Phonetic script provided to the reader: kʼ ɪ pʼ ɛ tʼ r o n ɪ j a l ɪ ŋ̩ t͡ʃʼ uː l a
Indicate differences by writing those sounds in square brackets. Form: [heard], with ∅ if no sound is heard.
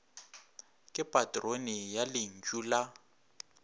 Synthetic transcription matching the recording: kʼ ɪ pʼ [a] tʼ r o n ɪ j a l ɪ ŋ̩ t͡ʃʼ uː l a

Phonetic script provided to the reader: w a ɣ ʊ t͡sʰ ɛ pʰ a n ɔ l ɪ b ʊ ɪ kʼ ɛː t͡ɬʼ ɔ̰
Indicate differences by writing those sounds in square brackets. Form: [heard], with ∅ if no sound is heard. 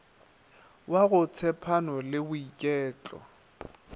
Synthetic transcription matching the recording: w a ɣ ʊ t͡sʰ ɛ pʰ a n ɔ l ɪ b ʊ [i] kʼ ɛː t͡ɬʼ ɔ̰

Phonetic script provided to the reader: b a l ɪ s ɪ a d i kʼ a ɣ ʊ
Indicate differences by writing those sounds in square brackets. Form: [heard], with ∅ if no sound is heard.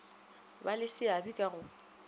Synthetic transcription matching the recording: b a l ɪ s ɪ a [b] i kʼ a ɣ ʊ

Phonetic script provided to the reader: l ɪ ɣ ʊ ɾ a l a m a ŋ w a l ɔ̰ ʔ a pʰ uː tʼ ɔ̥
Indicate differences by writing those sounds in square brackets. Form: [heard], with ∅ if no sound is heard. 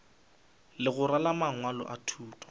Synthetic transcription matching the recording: l ɪ ɣ ʊ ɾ a l a m a ŋ w a l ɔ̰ ʔ a [tʰ] uː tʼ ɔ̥

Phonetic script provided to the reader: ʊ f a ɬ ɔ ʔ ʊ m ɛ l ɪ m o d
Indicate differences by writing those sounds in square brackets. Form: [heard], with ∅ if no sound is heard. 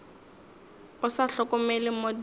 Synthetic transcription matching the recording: ʊ [s] a ɬ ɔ [k] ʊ m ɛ l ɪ m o d

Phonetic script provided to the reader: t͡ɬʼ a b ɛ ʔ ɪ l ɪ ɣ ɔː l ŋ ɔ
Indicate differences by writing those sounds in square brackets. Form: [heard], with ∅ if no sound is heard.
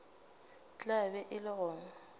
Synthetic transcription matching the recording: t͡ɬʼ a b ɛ ʔ ɪ l ɪ ɣ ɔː [∅] ŋ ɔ

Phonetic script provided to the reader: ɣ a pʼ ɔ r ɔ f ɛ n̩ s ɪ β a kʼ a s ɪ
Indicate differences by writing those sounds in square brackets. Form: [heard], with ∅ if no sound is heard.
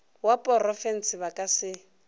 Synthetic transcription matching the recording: [w] a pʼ ɔ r ɔ f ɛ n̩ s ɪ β a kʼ a s ɪ

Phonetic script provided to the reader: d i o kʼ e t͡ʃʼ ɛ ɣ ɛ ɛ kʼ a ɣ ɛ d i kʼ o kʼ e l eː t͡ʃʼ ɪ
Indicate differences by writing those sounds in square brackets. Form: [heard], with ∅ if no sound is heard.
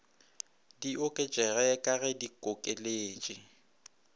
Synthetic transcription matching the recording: d i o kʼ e t͡ʃʼ ɛ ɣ ɛ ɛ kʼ a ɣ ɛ d i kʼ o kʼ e l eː t͡ʃʼ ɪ

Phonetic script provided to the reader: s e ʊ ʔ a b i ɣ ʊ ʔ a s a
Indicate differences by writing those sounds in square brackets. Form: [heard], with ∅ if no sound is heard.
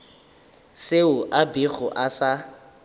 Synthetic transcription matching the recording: s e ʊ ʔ a b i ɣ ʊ ʔ a s a

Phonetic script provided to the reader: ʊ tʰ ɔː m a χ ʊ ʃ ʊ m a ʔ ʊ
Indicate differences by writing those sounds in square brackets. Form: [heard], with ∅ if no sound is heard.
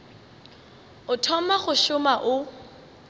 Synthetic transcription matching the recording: ʊ tʰ [ɔ] m a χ ʊ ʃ ʊ m a ʔ ʊ

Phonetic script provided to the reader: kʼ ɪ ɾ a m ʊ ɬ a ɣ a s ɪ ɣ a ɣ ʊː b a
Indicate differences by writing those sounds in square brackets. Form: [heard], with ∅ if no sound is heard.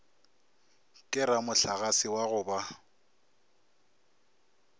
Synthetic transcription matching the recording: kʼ ɪ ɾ a m ʊ ɬ a ɣ a s ɪ [w] a ɣ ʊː b a

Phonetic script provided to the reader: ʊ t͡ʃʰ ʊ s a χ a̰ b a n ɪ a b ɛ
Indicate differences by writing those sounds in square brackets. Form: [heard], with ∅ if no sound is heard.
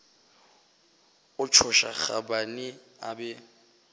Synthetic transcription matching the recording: ʊ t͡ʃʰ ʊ [ʃ] a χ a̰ b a n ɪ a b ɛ

